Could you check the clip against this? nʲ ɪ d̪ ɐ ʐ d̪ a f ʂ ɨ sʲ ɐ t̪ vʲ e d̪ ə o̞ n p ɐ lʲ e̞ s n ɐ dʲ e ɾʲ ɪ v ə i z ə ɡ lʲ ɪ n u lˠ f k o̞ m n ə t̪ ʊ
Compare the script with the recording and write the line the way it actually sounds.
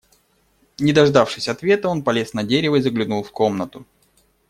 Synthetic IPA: nʲ ɪ d̪ ɐ ʐ d̪ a f ʂ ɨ sʲ ɐ t̪ vʲ e t̪ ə o̞ n p ɐ lʲ e̞ s n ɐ dʲ e ɾʲ ɪ v ə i z ə ɡ lʲ ɪ n u lˠ f k o̞ m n ə t̪ ʊ